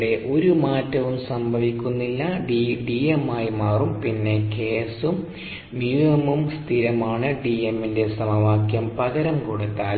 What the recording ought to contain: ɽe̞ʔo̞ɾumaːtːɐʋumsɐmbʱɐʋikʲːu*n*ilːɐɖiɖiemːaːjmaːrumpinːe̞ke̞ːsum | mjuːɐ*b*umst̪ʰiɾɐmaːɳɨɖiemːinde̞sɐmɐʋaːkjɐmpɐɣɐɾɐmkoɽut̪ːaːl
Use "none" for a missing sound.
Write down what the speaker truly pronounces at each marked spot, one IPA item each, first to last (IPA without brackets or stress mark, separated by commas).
nː, m